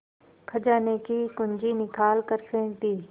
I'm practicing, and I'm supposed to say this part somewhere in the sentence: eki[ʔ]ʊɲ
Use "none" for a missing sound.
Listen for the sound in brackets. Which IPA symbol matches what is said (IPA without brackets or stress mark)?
k